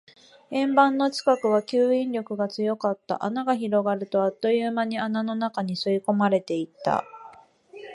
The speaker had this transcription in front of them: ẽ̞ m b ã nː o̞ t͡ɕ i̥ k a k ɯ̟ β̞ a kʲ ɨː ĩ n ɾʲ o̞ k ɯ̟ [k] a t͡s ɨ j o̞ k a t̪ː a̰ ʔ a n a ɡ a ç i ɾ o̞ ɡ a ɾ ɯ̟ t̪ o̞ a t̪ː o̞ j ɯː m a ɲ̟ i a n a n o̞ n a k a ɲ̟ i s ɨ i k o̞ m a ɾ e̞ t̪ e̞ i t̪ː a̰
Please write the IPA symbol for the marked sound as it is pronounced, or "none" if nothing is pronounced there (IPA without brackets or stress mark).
ɡ